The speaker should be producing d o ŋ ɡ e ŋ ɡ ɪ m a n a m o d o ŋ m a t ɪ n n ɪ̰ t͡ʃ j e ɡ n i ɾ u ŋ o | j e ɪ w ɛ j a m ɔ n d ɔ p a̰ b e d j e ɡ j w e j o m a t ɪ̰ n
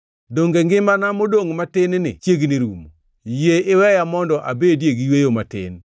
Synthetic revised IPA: d o ŋ ɡ e ŋ ɡ ɪ m a n a m o d o ŋ m a t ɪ n n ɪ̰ t͡ʃ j e ɡ n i ɾ u m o | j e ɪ w ɛ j a m ɔ n d ɔ ʔ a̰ b e d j e ɡ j w e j o m a t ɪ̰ n